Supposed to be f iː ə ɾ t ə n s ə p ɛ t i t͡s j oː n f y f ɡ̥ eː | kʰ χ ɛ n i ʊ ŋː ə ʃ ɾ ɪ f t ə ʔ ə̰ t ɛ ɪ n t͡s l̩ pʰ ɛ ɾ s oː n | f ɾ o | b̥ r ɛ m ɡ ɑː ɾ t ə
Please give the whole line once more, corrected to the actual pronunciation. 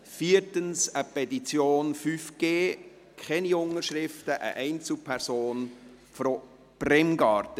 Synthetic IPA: f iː ə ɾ t ə n s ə p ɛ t i t͡s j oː n f y f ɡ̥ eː | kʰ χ ɛ n i ʊ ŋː ə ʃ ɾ ɪ f t ə ʔ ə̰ ʔ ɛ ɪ n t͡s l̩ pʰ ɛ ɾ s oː n | f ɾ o | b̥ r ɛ m ɡ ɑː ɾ t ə